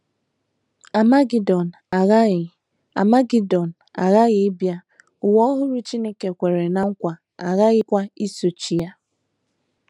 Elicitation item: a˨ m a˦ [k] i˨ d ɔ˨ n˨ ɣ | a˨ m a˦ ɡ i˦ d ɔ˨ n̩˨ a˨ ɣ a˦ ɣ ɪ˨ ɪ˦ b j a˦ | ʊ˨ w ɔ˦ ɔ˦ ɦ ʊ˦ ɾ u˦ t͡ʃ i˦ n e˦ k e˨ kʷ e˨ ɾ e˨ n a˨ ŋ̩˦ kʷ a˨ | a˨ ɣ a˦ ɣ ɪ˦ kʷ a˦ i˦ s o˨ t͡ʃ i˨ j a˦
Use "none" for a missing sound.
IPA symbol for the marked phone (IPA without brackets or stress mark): ɡ